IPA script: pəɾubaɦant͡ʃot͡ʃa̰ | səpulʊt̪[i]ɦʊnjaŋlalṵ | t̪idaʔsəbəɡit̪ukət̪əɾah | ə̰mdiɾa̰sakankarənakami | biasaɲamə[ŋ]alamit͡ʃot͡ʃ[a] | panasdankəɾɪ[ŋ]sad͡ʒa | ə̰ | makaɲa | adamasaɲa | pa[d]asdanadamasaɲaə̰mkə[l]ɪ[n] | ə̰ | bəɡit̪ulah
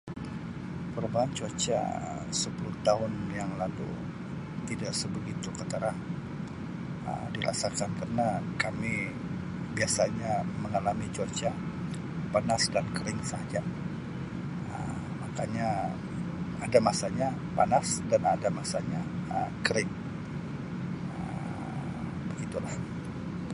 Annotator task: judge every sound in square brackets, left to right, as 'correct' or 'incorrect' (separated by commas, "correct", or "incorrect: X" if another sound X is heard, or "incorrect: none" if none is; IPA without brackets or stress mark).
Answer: incorrect: a, correct, correct, correct, incorrect: n, incorrect: ɾ, incorrect: ŋ